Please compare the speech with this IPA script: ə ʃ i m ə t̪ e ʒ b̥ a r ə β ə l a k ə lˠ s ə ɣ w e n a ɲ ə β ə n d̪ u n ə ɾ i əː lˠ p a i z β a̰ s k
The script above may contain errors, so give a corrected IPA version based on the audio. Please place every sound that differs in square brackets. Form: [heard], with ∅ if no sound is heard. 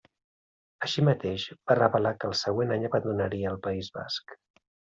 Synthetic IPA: ə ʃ i m ə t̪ e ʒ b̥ a r ə β ə l a k ə lˠ s ə ɣ w e n a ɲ ə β ə n d̪ u n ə ɾ i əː lˠ p [ə] i z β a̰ s k